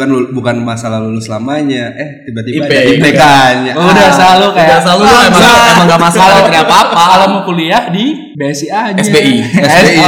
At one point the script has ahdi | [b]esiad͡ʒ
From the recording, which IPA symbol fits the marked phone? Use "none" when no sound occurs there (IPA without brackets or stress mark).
b